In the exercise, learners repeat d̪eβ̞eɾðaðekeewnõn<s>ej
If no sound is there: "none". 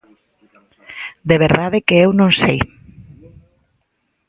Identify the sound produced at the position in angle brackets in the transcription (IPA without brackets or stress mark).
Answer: s